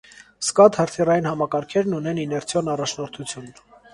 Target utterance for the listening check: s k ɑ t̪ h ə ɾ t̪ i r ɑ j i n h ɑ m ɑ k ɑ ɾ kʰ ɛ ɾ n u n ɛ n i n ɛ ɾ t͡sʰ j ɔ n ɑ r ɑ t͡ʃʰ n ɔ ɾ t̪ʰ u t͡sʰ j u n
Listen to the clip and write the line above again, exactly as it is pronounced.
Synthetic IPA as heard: s k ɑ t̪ h ə ɾ t̪ʰ i r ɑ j i n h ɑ m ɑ k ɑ ɾ kʰ ɛ ɾ n u n ɛ n i n ɛ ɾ t͡sʰ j ɔ n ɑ r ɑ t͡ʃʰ n ɔ ɾ t̪ʰ u t͡sʰ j u n